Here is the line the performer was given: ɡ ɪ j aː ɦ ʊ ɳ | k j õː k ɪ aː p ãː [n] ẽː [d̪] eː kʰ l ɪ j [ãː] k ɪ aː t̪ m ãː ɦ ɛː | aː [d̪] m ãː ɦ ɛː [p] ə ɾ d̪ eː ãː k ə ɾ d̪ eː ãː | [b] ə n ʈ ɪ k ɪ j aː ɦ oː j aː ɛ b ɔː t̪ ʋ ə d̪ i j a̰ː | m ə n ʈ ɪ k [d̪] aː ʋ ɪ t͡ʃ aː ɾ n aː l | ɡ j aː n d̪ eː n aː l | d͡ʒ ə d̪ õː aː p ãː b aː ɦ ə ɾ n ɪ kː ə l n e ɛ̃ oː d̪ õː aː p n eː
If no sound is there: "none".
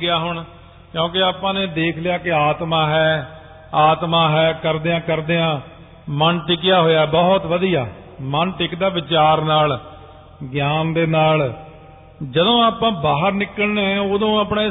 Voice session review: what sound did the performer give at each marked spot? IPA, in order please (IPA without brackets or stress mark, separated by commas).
n, d̪, aː, t̪, k, m, d̪